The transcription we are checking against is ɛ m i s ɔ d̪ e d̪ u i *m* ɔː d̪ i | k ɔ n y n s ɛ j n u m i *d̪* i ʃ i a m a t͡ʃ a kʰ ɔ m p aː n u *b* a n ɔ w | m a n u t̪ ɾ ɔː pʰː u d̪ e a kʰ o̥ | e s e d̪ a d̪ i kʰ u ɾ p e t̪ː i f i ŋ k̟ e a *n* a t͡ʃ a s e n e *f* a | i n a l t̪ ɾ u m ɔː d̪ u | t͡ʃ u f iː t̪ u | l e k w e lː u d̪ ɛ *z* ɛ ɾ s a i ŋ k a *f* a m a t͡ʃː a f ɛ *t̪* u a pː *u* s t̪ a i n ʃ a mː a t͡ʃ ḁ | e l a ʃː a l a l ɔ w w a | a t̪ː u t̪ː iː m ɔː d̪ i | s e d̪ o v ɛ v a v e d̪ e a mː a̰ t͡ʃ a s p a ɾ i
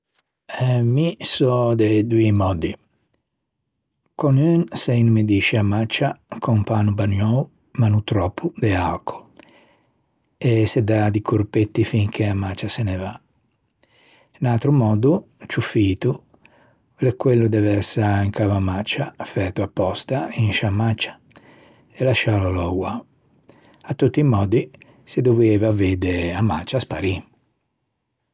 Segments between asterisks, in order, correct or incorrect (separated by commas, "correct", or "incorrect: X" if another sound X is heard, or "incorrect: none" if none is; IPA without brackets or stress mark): correct, correct, correct, incorrect: m, incorrect: v, incorrect: v, incorrect: v, correct, incorrect: ɔ